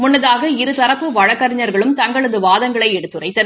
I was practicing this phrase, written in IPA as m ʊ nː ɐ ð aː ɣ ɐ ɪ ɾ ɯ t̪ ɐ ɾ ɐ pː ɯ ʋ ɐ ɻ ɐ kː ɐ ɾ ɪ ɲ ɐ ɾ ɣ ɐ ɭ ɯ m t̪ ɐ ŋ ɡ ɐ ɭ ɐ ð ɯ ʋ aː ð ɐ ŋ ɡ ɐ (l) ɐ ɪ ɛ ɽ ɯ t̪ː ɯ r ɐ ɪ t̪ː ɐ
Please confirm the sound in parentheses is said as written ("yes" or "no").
no